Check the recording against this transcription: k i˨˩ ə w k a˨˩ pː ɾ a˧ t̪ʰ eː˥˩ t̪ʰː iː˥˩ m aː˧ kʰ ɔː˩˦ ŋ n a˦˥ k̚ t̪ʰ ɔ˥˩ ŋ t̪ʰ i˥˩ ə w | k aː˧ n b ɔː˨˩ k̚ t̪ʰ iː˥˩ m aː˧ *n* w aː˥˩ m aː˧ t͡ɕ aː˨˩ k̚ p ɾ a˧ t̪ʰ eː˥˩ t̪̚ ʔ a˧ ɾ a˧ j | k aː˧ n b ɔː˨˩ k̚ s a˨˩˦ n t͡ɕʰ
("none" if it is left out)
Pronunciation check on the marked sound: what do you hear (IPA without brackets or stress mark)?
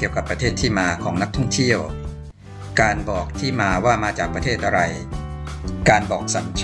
none